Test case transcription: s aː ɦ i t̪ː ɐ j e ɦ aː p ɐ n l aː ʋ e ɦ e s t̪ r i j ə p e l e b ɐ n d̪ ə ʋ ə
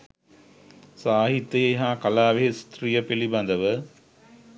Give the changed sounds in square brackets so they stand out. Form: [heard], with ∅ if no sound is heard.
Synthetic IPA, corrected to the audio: s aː ɦ i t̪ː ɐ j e ɦ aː [k] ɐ [∅] l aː ʋ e ɦ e s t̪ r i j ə p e l [i] b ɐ n d̪ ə ʋ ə